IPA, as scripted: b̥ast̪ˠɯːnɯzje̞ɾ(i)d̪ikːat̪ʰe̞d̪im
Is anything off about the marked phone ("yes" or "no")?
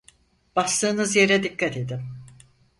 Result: yes